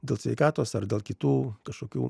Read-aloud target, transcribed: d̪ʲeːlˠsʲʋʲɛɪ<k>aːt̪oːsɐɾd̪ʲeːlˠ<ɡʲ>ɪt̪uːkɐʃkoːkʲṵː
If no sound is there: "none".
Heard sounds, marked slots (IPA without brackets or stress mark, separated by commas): k, kʲ